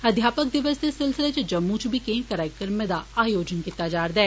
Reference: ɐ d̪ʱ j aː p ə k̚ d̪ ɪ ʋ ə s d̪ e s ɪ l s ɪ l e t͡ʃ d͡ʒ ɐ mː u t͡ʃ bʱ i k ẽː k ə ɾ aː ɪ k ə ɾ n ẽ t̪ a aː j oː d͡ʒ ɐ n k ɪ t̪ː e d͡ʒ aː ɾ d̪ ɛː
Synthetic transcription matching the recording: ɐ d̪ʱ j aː p ə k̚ d̪ ɪ ʋ ə s d̪ e s ɪ l s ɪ l e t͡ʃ d͡ʒ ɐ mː u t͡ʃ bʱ i k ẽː k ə ɾ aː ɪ k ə ɾ m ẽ d̪ a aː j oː d͡ʒ ə n k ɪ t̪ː a d͡ʒ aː ɾ d̪ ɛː